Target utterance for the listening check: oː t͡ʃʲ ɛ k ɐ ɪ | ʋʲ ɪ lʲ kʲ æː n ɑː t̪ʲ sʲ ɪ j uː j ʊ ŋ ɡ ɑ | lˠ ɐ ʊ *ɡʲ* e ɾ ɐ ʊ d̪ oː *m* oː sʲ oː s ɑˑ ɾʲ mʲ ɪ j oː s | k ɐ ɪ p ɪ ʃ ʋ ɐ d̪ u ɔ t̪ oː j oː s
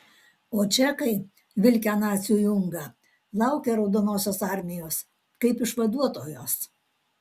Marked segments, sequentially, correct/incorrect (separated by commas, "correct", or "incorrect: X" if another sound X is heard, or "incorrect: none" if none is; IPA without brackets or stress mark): incorrect: kʲ, incorrect: n